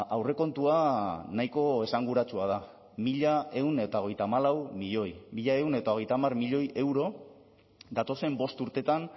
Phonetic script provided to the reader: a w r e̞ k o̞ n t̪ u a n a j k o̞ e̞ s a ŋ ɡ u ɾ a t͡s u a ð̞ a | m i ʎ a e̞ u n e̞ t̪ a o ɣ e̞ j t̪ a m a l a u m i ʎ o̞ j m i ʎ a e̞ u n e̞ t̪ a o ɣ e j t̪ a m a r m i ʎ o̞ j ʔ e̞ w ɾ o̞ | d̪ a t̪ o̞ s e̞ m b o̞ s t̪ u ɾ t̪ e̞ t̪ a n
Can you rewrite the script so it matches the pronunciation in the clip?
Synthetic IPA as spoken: a w r e̞ k o̞ n t̪ u a n a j k o̞ e̞ s a ŋ ɡ u ɾ a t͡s u a ð̞ a | m i ʎ a e̞ u n e̞ t̪ a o ɣ e̞ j t̪ a m a l a w m i ʎ o̞ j m i ʎ a e̞ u n e̞ t̪ a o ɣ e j t̪ a m a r m i ʎ o̞ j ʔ e̞ w ɾ o̞ | d̪ a t̪ o̞ s e̞ m b o̞ s t̪ u ɾ t̪ e̞ t̪ a n